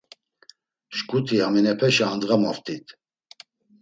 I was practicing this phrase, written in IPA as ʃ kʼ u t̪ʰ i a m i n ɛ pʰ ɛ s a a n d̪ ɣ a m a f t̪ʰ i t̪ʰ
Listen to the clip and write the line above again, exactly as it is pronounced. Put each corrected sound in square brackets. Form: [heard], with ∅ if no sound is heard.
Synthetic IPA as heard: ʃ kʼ u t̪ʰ i a m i n ɛ pʰ ɛ [ʃ] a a n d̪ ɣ a m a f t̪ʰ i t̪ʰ

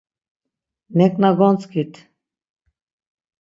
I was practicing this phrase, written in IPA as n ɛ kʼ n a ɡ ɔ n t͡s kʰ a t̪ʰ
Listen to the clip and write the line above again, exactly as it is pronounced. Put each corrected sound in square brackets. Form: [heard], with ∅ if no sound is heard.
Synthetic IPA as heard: n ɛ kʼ n a ɡ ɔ n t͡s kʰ [i] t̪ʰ

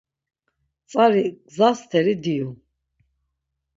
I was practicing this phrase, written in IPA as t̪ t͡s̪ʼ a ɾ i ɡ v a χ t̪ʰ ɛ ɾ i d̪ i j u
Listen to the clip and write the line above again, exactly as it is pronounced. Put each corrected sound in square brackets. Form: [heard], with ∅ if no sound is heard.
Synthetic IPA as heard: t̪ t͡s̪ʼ a ɾ i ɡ [z] a [s] t̪ʰ ɛ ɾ i d̪ i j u

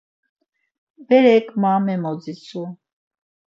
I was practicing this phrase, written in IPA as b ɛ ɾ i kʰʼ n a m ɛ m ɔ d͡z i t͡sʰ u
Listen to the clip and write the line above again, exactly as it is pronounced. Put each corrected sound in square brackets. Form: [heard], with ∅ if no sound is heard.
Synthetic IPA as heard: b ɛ ɾ [ɛ] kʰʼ [m] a m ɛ m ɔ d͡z i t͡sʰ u

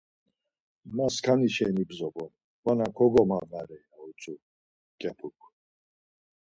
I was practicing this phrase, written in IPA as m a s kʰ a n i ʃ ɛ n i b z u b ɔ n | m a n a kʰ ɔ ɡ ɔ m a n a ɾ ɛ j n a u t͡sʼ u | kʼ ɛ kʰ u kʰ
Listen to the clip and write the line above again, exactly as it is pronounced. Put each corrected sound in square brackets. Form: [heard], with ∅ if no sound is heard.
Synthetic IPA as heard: m a s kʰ a n i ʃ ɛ n i b z [ɔ] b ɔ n | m a n a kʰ ɔ ɡ ɔ m a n a ɾ ɛ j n a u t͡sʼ u | kʼ ɛ [pʰ] u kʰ

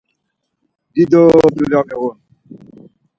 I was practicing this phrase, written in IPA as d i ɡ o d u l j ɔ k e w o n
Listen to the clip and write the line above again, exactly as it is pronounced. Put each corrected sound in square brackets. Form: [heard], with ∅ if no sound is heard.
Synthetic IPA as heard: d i [d] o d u l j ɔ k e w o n

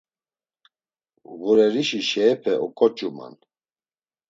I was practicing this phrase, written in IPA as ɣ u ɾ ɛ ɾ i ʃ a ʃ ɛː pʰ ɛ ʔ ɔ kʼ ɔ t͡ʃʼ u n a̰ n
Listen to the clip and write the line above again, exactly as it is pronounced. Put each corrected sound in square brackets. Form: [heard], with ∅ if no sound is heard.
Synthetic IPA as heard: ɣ u ɾ ɛ ɾ i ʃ [i] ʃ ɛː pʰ ɛ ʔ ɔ kʼ ɔ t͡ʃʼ u [m] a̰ n

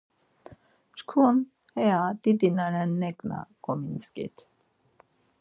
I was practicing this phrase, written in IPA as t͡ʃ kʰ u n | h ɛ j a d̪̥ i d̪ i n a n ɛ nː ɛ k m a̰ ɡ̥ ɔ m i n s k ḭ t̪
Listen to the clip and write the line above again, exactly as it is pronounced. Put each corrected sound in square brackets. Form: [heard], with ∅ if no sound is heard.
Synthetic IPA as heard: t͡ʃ kʰ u n | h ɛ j a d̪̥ i d̪ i n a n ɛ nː ɛ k [n] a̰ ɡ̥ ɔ m i n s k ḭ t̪

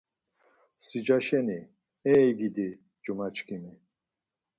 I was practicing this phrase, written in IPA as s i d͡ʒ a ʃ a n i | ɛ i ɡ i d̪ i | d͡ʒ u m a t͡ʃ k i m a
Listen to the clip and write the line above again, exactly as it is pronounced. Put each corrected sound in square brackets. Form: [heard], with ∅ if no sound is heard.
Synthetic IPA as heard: s i d͡ʒ a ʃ [ɛ] n i | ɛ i ɡ i d̪ i | d͡ʒ u m a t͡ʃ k i m [i]

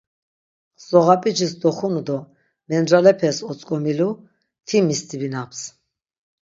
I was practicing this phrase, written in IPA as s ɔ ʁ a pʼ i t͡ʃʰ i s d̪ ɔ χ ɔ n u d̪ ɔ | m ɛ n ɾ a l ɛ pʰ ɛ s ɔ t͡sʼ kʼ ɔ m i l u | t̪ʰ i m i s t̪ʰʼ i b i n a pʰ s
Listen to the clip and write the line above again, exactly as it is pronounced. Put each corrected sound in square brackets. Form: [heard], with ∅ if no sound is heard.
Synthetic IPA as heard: s ɔ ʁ a pʼ i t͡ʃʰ i s d̪ ɔ χ [u] n u d̪ ɔ | m ɛ n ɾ a l ɛ pʰ ɛ s ɔ t͡sʼ kʼ ɔ m i l u | t̪ʰ i m i s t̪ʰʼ i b i n a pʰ s

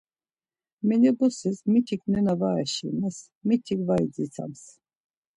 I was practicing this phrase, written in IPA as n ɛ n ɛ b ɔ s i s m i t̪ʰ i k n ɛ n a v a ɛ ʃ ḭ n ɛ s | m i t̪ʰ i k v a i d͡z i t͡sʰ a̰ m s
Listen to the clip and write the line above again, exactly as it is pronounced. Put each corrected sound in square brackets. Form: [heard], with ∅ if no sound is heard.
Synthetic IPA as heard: [m] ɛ n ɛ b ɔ s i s m i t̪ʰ i k n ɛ n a v a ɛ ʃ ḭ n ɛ s | m i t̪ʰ i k v a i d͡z i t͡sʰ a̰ m s

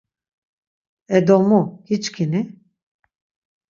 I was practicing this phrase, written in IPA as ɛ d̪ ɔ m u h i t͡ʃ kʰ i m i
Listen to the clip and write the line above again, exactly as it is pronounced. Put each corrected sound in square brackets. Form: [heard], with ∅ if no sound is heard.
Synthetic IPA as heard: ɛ d̪ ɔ m u h i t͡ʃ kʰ i [n] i

